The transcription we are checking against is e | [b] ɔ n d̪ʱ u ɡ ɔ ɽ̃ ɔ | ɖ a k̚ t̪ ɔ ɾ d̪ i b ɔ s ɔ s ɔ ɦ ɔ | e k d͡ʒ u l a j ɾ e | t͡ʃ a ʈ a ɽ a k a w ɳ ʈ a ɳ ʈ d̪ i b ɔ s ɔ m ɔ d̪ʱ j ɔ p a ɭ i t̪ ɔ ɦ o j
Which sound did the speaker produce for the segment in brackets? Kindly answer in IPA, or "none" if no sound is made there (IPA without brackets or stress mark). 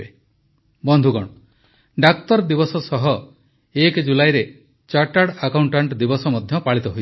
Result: b